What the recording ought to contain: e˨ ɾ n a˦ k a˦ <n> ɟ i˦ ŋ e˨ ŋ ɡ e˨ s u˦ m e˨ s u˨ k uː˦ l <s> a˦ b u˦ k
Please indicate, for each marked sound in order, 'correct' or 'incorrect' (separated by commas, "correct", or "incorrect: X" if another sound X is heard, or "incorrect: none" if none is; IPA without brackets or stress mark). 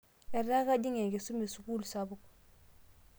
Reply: incorrect: none, correct